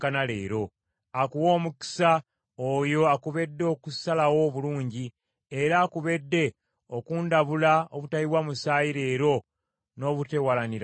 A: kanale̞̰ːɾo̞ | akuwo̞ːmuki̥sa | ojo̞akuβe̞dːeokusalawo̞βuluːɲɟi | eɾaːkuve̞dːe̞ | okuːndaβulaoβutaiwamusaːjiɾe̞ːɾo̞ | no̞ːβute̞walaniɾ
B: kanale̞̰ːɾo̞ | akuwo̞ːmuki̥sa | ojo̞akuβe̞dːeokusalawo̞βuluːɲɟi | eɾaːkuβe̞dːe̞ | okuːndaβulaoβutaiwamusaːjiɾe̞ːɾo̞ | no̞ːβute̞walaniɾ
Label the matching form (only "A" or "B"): B